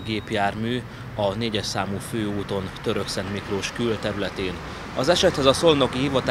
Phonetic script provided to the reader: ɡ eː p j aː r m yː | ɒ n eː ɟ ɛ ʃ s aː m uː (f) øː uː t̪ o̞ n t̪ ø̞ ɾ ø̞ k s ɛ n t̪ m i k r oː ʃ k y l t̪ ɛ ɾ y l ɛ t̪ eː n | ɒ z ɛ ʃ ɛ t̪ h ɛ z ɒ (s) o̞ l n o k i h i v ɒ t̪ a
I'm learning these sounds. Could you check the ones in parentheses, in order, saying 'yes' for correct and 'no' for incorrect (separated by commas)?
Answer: yes, yes